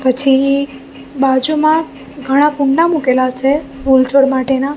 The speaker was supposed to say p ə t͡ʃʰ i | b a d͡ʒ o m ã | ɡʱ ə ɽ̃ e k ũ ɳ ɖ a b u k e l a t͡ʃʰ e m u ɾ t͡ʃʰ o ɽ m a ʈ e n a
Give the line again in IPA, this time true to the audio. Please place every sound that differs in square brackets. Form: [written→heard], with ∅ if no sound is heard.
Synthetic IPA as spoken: p ə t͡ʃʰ i | b a d͡ʒ [o→u] m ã | ɡʱ ə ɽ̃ [e→a] k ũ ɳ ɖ a [b→m] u k e l a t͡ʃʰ e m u [ɾ→l] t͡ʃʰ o ɽ m a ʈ e n a